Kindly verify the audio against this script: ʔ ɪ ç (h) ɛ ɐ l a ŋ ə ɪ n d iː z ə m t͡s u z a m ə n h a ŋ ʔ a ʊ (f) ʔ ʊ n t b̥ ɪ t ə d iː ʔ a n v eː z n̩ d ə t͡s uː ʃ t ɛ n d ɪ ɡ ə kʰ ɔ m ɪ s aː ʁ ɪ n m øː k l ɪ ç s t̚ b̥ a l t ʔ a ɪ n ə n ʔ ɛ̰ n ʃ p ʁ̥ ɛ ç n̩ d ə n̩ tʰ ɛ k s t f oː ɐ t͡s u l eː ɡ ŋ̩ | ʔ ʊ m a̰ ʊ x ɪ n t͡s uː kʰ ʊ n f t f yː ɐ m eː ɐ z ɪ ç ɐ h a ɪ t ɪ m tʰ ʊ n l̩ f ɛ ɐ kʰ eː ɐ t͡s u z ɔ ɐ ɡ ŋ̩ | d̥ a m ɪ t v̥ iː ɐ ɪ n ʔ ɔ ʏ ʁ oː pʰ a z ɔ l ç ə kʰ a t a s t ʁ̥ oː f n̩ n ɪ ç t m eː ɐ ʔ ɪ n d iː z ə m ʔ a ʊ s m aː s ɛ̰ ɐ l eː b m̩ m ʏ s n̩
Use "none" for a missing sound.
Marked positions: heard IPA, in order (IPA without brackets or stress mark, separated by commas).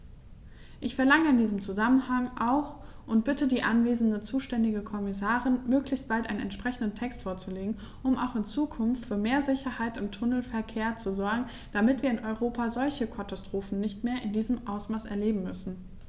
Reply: f, x